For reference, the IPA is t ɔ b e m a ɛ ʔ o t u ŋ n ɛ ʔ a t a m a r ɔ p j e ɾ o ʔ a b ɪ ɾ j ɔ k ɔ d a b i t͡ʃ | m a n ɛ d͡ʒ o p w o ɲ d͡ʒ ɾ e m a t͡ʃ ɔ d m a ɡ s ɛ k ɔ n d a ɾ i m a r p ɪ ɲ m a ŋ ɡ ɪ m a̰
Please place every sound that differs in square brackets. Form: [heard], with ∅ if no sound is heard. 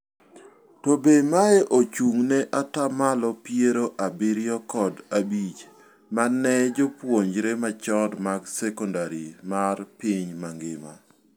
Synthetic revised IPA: t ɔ b e m a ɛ ʔ o [t͡ʃ] u ŋ n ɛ ʔ a t a m a [l] ɔ p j e ɾ o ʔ a b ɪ ɾ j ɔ k ɔ d a b i t͡ʃ | m a n ɛ d͡ʒ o p w o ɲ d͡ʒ ɾ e m a t͡ʃ ɔ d m a ɡ s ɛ k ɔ n d a ɾ i m a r p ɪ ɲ m a ŋ ɡ ɪ m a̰